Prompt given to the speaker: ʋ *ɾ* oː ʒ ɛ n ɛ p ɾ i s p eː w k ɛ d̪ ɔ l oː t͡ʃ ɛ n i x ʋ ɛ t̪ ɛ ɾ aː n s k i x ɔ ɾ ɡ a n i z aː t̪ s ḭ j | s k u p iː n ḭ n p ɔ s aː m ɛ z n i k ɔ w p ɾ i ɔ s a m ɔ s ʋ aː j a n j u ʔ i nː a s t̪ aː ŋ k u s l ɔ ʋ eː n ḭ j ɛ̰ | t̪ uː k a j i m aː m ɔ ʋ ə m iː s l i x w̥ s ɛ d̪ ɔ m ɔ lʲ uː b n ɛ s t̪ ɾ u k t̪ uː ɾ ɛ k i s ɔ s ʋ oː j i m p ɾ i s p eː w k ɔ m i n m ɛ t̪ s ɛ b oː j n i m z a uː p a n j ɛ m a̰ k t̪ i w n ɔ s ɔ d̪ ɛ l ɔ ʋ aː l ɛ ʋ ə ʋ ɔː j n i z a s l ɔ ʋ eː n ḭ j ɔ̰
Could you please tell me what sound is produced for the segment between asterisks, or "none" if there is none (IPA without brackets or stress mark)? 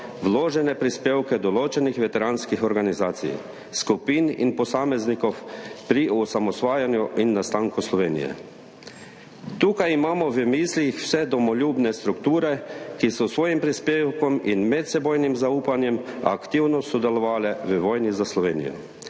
l